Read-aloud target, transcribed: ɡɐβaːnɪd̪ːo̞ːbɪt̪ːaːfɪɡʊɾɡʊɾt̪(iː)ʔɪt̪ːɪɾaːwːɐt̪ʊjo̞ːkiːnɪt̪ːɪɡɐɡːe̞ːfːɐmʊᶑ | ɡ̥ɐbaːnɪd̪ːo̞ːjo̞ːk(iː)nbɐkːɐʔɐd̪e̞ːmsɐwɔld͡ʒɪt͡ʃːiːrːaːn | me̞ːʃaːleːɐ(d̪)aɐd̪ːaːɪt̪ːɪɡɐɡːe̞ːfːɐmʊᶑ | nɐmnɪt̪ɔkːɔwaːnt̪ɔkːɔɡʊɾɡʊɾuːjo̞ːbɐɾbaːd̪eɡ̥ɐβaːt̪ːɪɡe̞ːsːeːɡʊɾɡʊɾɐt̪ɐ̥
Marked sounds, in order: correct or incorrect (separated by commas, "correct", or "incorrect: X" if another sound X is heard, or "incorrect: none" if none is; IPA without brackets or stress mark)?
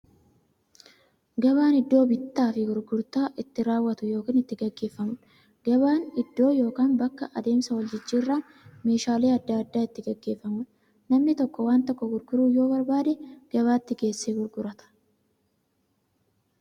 incorrect: aː, incorrect: aː, incorrect: d̪ː